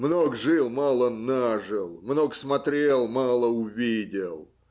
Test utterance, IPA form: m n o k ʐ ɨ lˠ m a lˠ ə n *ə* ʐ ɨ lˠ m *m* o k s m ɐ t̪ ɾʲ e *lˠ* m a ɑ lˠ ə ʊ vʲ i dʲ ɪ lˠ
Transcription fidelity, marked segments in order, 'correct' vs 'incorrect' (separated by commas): incorrect, incorrect, correct